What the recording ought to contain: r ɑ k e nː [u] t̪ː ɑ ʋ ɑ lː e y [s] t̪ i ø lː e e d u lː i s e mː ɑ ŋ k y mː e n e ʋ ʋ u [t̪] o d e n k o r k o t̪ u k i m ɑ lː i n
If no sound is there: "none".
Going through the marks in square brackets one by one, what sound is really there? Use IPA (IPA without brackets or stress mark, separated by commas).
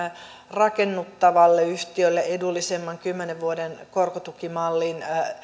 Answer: u, h, none